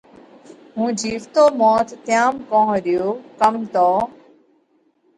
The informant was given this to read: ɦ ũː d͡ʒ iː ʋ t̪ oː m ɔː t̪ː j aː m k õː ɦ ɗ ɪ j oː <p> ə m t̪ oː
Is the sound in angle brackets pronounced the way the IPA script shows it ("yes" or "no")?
no